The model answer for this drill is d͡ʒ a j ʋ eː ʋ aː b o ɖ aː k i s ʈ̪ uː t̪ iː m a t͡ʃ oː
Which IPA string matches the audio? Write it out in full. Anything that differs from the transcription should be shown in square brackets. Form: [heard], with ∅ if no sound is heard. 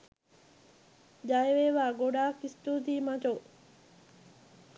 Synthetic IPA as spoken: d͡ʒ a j ʋ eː ʋ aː [ɡ] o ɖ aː k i s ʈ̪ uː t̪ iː m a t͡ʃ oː